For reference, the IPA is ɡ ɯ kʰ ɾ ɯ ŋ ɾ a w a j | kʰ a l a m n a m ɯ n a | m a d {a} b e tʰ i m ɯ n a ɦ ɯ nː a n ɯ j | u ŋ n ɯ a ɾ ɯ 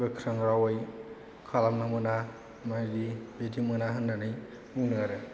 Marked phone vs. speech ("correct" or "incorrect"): incorrect